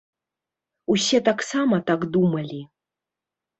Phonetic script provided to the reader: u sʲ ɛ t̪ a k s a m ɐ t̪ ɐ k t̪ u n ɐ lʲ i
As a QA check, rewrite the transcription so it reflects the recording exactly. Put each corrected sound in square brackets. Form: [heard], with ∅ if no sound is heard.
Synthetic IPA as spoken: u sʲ ɛ t̪ a k s a m ɐ t̪ [a] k [d̪] u [m] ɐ lʲ i